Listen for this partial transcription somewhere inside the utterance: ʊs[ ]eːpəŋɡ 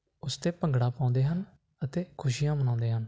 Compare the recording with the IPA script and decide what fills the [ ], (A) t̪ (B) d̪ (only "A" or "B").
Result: A